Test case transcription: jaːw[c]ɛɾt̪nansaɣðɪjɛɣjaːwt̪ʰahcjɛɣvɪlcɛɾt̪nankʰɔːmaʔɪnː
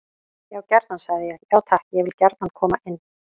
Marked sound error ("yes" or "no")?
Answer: no